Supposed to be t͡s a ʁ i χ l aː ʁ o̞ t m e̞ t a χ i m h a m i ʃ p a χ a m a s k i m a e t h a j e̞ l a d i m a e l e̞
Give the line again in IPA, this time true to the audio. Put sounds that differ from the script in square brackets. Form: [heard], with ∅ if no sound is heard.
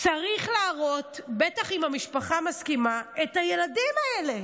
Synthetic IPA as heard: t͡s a ʁ i χ l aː ʁ o̞ t [b] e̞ t a χ i m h a m i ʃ p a χ a m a s k i m a e t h a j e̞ l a d i m a e l e̞